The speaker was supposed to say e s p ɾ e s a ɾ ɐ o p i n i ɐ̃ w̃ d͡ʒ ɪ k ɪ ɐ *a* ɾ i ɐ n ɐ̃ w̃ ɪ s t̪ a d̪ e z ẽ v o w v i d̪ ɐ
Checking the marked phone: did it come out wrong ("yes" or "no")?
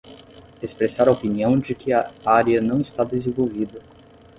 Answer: no